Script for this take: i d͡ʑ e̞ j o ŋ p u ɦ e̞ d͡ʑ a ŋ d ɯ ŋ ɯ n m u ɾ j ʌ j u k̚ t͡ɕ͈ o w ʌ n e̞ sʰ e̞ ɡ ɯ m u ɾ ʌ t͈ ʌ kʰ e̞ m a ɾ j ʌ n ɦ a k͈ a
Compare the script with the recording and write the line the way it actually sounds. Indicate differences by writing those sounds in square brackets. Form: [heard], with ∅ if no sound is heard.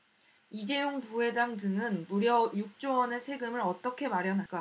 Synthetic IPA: i d͡ʑ e̞ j o ŋ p u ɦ e̞ d͡ʑ a ŋ d ɯ ŋ ɯ n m u ɾ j ʌ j u k̚ t͡ɕ͈ o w ʌ n e̞ sʰ e̞ ɡ ɯ m [ɯ] ɾ ʌ t͈ ʌ kʰ e̞ m a ɾ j ʌ n ɦ a k͈ a